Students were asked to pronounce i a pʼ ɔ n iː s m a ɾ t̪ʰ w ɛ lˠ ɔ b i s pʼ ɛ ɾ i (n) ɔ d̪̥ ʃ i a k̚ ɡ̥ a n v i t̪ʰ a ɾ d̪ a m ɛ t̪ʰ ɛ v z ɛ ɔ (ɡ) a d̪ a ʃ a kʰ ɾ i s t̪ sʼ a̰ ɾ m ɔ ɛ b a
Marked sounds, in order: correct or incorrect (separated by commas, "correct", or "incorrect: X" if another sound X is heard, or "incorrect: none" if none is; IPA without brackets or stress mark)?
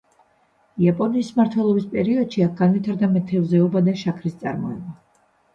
incorrect: none, incorrect: b